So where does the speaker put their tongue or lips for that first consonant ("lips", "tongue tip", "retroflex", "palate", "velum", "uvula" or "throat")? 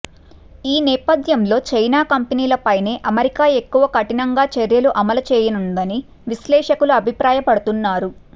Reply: tongue tip